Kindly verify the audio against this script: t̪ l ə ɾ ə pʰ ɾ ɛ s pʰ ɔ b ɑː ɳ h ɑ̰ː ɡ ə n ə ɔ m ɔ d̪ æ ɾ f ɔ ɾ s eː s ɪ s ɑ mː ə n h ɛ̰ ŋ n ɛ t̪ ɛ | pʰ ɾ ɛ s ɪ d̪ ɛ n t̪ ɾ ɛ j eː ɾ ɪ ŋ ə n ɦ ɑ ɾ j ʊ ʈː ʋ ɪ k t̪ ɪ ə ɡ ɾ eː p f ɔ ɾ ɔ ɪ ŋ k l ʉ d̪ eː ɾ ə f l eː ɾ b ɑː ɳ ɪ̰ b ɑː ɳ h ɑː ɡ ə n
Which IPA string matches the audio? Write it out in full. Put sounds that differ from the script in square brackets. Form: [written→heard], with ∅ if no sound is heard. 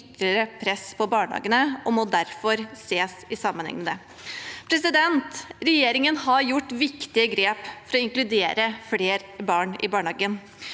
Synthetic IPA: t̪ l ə ɾ ə pʰ ɾ ɛ s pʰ ɔ b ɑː ɳ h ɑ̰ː ɡ ə n ə ɔ m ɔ d̪ æ ɾ f ɔ ɾ s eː s ɪ s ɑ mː ə n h ɛ̰ ŋ [n→m] ɛ [t̪→d̪] ɛ | pʰ ɾ ɛ s ɪ d̪ ɛ n t̪ ɾ ɛ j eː ɾ ɪ ŋ ə n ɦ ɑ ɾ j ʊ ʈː ʋ ɪ k t̪ ɪ ə ɡ ɾ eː p f ɔ ɾ ɔ ɪ ŋ k l ʉ d̪ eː ɾ ə f l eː ɾ b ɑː ɳ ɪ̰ b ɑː ɳ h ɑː ɡ ə n